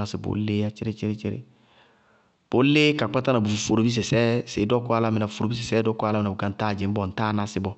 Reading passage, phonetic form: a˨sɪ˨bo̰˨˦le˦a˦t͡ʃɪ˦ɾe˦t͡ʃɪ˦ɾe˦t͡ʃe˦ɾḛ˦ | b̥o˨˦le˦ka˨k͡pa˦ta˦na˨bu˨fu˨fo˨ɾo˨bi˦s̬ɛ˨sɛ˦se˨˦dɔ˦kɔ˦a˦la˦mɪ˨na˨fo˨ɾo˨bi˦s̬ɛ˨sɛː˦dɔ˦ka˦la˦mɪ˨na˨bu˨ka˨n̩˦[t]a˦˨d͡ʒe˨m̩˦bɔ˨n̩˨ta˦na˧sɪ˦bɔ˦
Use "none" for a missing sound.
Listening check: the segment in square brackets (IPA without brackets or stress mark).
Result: t